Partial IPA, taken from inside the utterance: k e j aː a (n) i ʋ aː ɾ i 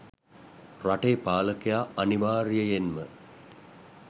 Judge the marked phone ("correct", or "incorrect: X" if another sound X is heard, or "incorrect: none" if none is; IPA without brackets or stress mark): correct